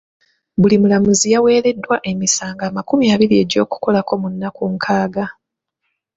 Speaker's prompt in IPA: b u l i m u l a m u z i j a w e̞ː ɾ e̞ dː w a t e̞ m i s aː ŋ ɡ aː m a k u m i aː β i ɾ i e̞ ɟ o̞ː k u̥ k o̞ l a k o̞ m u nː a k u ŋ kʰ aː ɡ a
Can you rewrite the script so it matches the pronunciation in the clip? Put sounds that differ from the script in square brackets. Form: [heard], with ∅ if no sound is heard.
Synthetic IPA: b u l i m u l a m u z i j a w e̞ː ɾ e̞ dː w a [ʔ] e̞ m i s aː ŋ ɡ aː m a k u m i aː β i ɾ i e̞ ɟ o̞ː k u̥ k o̞ l a k o̞ m u nː a k u ŋ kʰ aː ɡ a

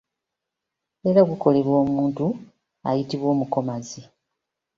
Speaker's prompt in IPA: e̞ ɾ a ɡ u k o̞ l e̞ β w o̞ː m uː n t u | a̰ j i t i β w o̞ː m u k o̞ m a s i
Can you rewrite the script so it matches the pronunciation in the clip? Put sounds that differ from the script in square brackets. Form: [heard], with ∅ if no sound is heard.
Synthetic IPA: e̞ ɾ a ɡ u k o̞ l e̞ β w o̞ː m uː n t u | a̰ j i t i β w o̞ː m u k o̞ m a [z] i

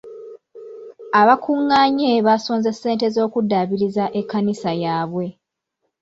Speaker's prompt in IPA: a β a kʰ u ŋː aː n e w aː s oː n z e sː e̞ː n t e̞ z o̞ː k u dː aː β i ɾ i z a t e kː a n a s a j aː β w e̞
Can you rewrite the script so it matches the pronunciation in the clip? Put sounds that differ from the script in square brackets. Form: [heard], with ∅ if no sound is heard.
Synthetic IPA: a β a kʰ u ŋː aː [ɲ] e [β] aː s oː n z e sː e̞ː n t e̞ z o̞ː k u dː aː β i ɾ i z a [ʔ] e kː a n [i] s a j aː β w e̞

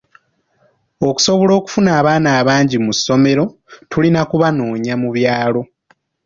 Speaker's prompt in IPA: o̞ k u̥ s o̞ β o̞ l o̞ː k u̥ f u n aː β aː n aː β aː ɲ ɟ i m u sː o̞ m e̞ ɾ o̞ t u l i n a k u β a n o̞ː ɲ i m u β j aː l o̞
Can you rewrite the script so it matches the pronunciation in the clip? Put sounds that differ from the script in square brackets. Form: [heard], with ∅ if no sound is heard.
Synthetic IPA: o̞ k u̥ s o̞ β o̞ l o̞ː k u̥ f u n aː β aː n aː β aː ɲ ɟ i m u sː o̞ m e̞ ɾ o̞ t u l i n a k u β a n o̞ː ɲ [a] m u β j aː l o̞

